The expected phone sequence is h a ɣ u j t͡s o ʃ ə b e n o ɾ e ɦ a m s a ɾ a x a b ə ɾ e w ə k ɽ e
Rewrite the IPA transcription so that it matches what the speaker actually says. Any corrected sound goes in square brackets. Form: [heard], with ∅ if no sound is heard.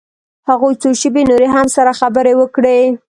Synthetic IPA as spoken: h a ɣ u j t͡s o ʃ ə b e n o ɾ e ɦ a m s a ɾ a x a b ə ɾ e w ə k ɽ e